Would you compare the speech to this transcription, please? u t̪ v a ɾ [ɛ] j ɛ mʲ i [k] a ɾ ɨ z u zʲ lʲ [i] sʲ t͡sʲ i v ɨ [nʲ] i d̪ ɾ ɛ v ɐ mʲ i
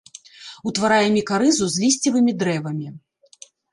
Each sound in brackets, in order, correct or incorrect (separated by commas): incorrect, correct, correct, incorrect